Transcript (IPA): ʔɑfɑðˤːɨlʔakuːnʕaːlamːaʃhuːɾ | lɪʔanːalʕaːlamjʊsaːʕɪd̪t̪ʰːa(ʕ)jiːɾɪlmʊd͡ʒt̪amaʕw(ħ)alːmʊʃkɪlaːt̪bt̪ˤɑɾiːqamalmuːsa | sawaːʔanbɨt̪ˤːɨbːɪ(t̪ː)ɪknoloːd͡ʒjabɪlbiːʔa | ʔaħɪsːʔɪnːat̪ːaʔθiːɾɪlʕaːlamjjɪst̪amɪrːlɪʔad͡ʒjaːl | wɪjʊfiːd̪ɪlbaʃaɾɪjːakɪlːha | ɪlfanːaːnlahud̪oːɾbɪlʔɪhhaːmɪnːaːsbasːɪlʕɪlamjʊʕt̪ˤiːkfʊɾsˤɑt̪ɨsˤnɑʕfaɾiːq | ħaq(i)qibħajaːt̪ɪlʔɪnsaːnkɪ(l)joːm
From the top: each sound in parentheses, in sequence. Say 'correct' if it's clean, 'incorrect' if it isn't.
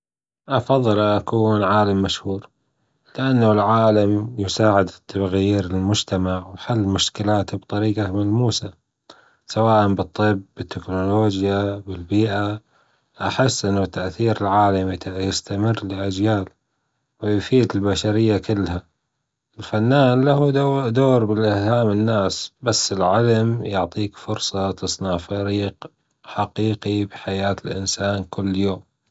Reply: incorrect, correct, correct, incorrect, incorrect

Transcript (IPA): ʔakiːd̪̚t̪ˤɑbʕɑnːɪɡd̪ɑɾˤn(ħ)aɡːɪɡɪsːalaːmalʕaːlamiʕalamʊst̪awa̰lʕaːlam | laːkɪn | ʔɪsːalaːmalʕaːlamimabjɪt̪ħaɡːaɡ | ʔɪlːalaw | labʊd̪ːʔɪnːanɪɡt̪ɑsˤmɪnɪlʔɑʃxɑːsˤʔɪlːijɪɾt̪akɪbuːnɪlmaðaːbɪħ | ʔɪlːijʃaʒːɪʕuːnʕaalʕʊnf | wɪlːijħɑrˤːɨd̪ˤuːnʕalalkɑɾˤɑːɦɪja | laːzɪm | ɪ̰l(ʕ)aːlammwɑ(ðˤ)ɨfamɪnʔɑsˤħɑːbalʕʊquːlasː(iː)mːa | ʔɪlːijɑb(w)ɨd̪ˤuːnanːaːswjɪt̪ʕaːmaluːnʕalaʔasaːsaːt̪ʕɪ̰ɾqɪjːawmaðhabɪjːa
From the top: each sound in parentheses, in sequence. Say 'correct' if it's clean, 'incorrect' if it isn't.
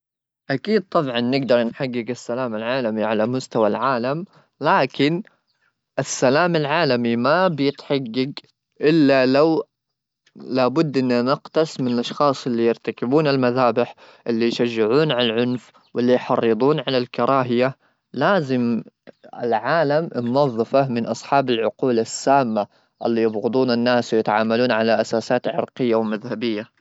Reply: correct, correct, incorrect, incorrect, incorrect

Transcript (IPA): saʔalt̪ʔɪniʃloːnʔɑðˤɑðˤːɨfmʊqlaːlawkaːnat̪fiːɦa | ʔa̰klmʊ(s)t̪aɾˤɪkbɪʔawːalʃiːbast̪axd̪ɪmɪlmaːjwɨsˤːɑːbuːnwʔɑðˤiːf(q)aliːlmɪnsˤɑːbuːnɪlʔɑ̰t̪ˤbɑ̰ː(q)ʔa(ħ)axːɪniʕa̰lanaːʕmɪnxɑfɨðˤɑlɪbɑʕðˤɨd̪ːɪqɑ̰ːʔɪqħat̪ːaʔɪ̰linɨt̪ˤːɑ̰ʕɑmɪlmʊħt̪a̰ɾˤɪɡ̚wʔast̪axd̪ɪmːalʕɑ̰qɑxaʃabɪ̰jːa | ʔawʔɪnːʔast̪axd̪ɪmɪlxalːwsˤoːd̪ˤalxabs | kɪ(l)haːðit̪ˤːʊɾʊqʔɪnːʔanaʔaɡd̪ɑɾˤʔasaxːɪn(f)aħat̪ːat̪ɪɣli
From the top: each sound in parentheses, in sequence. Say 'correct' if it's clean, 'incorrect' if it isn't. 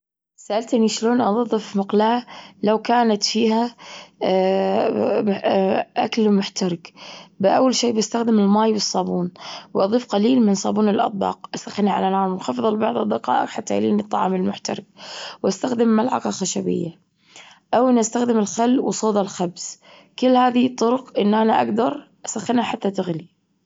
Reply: incorrect, correct, correct, incorrect, incorrect, incorrect

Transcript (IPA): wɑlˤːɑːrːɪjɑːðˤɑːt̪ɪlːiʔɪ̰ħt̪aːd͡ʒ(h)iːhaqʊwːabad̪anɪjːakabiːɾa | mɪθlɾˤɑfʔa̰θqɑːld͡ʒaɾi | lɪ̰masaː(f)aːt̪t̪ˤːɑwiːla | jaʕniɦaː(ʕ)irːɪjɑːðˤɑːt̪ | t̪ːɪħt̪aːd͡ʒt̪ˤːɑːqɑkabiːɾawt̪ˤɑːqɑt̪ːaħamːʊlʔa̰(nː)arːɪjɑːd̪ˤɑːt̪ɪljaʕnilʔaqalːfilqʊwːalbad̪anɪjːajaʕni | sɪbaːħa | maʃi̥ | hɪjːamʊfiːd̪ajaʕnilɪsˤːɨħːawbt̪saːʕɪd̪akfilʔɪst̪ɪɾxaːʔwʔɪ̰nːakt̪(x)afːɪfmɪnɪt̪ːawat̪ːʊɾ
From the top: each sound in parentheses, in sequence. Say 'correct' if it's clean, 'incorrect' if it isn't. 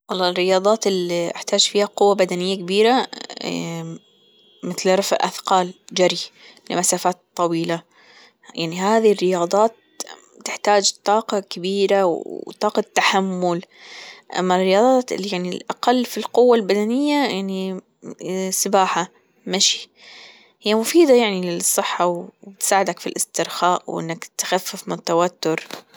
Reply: incorrect, correct, incorrect, incorrect, correct

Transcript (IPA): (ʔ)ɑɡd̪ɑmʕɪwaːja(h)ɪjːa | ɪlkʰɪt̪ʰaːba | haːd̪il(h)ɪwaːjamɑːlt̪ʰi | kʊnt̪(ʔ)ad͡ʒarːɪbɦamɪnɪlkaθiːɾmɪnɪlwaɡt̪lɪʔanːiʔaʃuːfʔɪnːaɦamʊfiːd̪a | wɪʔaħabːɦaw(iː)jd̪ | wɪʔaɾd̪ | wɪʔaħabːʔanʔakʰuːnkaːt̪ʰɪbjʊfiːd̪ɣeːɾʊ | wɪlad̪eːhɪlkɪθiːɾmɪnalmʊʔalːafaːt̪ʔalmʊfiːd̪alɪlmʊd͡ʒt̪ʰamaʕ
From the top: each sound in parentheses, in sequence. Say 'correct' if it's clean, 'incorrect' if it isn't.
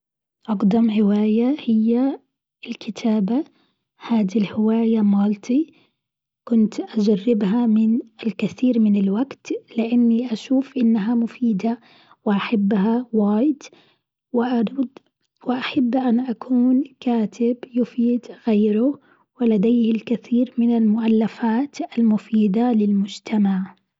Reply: correct, correct, correct, correct, incorrect

